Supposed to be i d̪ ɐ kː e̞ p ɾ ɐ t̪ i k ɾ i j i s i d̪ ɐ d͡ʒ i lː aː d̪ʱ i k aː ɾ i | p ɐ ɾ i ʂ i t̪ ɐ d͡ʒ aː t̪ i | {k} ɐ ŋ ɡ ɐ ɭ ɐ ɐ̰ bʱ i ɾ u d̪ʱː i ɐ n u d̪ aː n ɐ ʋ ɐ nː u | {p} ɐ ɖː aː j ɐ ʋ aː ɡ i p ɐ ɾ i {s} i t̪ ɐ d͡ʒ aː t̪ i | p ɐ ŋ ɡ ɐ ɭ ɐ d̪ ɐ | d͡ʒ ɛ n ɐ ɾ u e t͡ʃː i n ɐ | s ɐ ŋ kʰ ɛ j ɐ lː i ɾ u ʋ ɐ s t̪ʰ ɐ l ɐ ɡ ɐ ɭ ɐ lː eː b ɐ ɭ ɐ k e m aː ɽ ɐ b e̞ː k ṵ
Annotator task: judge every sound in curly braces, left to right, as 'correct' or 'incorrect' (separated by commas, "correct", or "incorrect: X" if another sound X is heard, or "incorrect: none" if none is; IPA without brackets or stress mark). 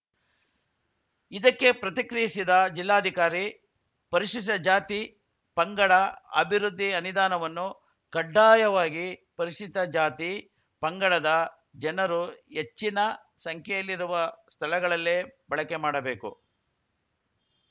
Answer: incorrect: p, incorrect: k, incorrect: ʂ